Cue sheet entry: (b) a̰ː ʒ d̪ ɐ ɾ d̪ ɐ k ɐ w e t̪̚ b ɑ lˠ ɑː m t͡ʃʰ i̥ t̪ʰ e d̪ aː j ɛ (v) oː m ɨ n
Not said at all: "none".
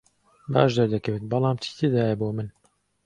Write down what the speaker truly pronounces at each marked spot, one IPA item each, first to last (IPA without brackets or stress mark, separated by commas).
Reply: b, b